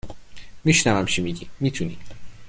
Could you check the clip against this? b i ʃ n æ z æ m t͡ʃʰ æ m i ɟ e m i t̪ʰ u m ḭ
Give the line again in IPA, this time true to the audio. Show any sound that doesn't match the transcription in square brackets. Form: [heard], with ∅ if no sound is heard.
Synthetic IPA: [m] i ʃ n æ [v] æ m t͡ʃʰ [i] m i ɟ [i] m i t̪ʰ u [n] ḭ